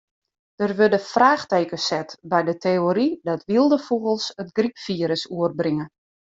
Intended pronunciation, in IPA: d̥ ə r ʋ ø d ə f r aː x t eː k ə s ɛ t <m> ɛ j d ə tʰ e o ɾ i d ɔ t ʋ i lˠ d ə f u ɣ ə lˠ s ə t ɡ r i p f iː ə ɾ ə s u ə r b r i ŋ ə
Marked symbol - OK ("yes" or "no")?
no